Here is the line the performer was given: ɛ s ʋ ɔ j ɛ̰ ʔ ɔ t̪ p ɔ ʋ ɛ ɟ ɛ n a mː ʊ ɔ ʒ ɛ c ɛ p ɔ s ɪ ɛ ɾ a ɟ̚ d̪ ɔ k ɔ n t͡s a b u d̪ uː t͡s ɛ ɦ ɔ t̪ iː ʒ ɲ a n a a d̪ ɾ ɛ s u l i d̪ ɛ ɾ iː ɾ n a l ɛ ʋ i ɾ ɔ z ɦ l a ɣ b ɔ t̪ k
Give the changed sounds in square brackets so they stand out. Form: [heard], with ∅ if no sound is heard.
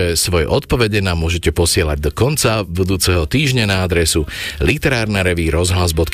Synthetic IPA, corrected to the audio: ɛ s ʋ ɔ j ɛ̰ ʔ ɔ t̪ p ɔ ʋ ɛ ɟ ɛ n a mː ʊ ɔ ʒ ɛ c ɛ p ɔ s ɪ ɛ [l] a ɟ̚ d̪ ɔ k ɔ n t͡s a b u d̪ uː t͡s ɛ ɦ ɔ t̪ iː ʒ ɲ a n a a d̪ ɾ ɛ s u l i [t̪] ɛ ɾ [aː] ɾ n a [ɾ] ɛ ʋ i ɾ ɔ z ɦ l a [z] b ɔ t̪ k